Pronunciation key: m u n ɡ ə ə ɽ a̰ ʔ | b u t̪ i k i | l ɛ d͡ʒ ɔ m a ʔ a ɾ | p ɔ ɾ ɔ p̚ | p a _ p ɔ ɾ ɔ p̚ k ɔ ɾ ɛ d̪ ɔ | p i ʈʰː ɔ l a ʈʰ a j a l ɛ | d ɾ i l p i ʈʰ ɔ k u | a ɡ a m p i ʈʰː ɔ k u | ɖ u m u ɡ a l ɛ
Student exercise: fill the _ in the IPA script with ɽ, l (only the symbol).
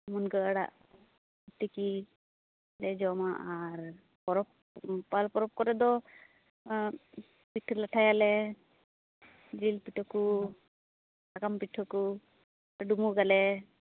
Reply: l